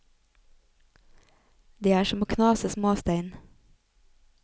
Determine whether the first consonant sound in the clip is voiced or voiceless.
voiced